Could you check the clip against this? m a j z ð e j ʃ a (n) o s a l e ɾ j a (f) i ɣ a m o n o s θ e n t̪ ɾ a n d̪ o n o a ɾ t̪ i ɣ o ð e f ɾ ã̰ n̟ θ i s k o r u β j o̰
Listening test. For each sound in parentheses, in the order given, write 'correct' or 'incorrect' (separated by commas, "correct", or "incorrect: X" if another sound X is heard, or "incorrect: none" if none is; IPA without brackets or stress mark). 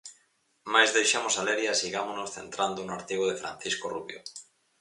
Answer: incorrect: m, incorrect: s